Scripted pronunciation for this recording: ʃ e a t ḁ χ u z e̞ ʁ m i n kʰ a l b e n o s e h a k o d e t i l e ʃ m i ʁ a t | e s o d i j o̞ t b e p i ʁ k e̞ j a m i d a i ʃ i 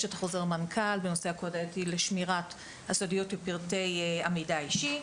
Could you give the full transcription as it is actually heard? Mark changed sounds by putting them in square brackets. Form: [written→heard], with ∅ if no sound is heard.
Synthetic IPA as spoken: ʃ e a t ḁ χ [u→o] z e̞ ʁ m [i→a] n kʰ a l b e n o s e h a k o d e t i l e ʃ m i ʁ a t | [e→a] s o d i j o̞ t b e p i ʁ [k→t] e̞ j a m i d a i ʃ i